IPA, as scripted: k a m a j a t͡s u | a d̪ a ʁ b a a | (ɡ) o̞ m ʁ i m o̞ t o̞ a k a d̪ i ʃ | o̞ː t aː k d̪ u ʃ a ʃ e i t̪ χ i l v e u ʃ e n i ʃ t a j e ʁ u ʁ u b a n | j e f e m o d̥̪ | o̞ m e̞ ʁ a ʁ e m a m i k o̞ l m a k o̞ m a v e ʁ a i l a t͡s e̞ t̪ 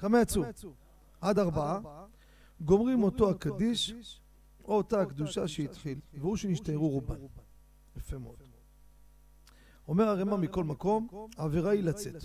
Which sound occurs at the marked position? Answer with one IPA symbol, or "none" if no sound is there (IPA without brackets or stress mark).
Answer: ɡ